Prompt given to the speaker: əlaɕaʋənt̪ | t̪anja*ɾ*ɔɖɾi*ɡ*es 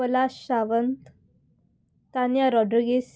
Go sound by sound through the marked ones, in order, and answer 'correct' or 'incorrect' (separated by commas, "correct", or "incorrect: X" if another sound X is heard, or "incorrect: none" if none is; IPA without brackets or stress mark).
correct, correct